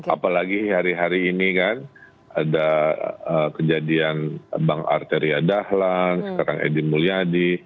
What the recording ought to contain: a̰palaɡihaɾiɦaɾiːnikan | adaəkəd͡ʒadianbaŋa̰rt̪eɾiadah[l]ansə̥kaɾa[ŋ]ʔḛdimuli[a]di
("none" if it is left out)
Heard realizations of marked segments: l, ŋ, a

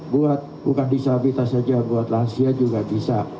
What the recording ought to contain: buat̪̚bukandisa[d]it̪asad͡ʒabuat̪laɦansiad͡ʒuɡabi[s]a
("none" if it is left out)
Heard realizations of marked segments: b, s

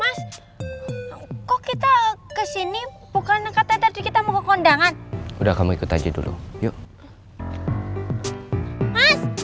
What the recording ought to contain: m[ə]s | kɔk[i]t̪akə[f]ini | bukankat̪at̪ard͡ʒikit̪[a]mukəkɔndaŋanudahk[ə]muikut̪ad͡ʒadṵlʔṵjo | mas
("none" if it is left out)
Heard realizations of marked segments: a, i, s, a, a

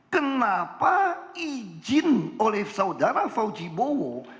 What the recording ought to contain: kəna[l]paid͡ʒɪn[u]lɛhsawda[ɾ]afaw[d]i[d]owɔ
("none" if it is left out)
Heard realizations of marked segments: none, o, ɾ, d͡ʒ, b

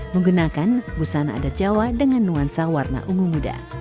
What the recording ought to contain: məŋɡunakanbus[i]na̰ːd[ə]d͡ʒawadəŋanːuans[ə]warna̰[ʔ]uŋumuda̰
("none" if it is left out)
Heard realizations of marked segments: a, a, a, ʔ

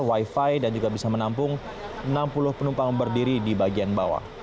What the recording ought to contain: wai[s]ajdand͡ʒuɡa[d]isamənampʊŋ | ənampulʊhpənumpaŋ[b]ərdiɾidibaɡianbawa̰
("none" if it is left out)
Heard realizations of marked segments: f, b, b

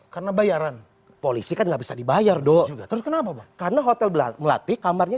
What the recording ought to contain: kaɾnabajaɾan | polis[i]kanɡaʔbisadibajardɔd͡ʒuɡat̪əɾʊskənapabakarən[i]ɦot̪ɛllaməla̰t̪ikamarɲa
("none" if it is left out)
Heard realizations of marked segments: i, a

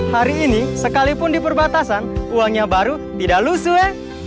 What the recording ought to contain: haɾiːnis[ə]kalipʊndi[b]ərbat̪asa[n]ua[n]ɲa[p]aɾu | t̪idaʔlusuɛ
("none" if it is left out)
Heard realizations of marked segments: ə, p, n, ŋ, b

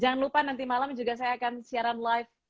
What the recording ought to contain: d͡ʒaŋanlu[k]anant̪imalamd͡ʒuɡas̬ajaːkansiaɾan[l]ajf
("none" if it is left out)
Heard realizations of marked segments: p, l

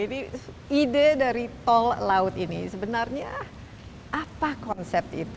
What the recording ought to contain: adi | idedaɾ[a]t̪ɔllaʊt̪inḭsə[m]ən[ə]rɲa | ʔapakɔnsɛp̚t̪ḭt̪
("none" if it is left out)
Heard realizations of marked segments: i, b, a

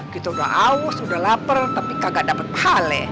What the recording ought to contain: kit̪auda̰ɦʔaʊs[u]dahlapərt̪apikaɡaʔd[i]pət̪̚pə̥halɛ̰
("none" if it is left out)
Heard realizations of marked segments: u, a

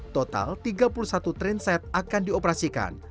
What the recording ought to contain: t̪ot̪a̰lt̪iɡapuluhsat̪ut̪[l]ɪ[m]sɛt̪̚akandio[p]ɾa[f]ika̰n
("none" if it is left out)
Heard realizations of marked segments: ɾ, n, p, s

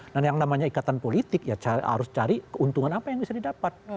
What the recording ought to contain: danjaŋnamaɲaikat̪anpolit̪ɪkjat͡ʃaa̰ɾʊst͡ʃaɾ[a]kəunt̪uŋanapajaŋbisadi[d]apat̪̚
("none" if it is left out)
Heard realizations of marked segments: i, d

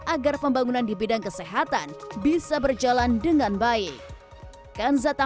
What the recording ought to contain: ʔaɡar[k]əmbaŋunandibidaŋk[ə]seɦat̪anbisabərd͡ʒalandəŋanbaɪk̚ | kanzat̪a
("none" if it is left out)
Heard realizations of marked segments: p, ə

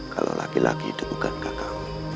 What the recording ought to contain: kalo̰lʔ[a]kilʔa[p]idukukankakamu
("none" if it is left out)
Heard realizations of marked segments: a, k

